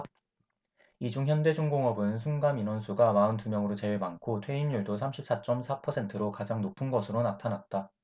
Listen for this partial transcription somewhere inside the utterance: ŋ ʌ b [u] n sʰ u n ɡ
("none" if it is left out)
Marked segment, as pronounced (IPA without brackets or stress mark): ɯ